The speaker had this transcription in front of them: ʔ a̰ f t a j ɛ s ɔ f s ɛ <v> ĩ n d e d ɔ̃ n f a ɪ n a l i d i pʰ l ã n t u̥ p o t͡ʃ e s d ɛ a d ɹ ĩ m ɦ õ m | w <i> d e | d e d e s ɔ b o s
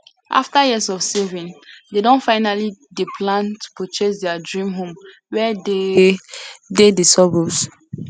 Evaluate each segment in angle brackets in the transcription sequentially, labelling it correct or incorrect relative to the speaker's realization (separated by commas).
correct, incorrect